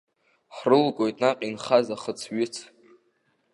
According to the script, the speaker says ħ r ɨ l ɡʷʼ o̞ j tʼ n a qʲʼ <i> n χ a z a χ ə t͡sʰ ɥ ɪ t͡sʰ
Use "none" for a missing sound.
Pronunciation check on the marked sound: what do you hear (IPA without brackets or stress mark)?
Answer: i